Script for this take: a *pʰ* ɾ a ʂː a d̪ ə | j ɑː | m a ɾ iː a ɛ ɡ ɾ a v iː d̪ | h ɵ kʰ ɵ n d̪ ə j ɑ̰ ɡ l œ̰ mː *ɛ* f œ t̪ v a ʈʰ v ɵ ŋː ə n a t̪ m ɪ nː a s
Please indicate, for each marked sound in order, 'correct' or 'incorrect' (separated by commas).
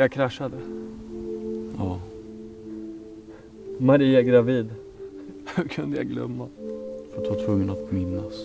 incorrect, incorrect